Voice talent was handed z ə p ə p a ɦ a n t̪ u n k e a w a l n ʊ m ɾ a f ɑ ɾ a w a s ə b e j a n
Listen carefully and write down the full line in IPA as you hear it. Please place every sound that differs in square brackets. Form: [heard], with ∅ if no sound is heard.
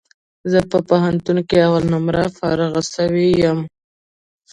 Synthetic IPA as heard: z ə p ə p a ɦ a n t̪ u n k e a w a l n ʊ m ɾ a f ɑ ɾ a [ɣ] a s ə [w] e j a [m]